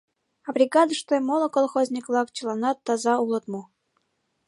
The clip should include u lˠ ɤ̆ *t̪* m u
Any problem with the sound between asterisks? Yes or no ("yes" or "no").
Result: no